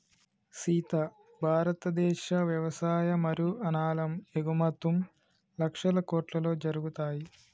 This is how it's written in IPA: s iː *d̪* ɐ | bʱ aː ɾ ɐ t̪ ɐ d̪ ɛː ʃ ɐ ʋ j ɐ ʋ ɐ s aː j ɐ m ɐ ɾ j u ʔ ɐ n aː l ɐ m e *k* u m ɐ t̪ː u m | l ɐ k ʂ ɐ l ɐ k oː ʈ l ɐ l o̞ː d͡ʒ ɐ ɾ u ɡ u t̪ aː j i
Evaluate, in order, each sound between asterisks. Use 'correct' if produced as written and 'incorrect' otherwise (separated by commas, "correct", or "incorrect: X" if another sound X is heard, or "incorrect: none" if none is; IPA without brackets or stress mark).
incorrect: t̪, incorrect: ɡ